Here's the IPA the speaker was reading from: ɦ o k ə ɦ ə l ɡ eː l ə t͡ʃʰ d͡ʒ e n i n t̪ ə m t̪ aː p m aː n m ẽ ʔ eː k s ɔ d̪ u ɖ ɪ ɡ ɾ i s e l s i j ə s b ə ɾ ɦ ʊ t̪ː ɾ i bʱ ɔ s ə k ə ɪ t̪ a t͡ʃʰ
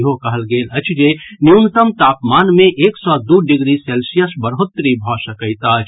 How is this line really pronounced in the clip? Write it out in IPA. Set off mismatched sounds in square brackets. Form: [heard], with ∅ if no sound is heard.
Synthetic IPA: ɦ o k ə ɦ ə l ɡ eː l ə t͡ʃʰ d͡ʒ e n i n t̪ ə m t̪ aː p m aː n m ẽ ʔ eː k s ɔ d̪ u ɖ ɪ ɡ ɾ i s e l s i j ə s b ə ɾ ɦ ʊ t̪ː ɾ i bʱ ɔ s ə k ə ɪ t̪ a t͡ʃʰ